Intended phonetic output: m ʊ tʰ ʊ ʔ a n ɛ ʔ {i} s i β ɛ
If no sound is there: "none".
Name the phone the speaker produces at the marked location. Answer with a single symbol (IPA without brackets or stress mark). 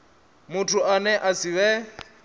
a